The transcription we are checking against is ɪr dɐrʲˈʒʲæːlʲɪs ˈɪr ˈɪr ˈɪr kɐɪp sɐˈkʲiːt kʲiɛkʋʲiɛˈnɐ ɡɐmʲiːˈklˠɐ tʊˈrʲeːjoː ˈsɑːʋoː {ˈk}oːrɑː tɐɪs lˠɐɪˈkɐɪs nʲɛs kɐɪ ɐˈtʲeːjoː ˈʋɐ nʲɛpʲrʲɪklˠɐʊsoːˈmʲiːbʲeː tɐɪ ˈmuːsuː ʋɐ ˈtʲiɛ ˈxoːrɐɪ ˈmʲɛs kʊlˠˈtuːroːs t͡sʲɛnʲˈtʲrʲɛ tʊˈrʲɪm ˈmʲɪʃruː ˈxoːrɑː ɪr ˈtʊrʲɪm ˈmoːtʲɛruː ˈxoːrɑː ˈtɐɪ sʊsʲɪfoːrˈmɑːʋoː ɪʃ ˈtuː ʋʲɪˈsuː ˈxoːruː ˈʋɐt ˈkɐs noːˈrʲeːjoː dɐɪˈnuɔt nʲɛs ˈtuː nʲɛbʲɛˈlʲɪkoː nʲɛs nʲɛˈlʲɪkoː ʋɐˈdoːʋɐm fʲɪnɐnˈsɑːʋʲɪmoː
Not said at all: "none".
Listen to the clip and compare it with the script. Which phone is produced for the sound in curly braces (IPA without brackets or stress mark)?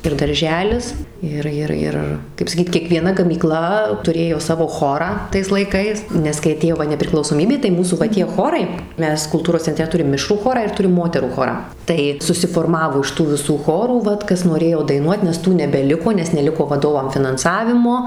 x